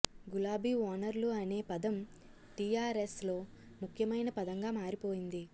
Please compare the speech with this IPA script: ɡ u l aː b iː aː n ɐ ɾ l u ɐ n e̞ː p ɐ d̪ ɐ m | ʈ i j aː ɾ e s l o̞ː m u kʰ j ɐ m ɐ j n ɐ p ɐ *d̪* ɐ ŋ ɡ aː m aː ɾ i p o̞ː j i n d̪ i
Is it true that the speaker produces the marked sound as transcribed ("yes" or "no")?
yes